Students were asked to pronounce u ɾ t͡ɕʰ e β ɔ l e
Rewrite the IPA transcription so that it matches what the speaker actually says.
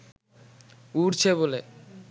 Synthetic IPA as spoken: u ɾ t͡ɕʰ e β o l e

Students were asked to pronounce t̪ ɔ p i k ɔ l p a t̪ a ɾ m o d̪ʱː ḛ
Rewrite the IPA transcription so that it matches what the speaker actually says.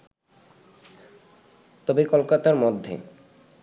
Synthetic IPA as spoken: t̪ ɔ b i k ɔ l k a t̪ a ɾ m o d̪ʱː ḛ

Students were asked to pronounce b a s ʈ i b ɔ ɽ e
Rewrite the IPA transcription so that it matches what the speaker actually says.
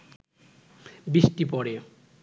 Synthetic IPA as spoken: b i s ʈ i p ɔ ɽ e

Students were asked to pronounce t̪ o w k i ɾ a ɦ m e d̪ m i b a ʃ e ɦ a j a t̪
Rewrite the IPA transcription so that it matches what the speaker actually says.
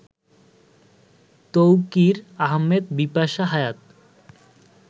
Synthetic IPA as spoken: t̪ o w k i ɾ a ɦ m e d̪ b i p a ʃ a ɦ a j a t̪

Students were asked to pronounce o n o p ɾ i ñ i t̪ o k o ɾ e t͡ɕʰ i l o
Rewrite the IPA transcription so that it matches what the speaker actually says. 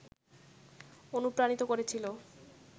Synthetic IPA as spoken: o n u p ɾ a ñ i t̪ o k o ɾ e t͡ɕʰ i l o

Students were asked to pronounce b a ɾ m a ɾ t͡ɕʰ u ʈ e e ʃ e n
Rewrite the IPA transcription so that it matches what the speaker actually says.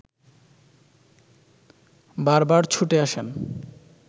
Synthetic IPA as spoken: b a ɾ b a ɾ t͡ɕʰ u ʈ e a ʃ e n

